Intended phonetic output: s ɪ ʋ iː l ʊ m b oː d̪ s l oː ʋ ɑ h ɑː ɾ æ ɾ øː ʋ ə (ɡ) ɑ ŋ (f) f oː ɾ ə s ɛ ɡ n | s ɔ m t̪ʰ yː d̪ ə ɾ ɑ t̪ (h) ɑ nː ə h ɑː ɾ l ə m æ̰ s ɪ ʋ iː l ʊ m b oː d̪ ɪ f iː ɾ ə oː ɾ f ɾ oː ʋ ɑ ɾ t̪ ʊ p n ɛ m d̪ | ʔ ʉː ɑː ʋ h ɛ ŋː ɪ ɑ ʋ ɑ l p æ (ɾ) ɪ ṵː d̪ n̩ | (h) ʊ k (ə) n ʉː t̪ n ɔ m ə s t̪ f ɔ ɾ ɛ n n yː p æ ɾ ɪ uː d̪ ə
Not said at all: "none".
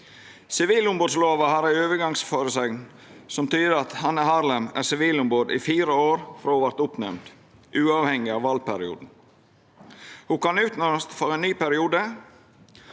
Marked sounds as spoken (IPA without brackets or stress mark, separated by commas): ɡ, s, h, ɾ, h, ɑ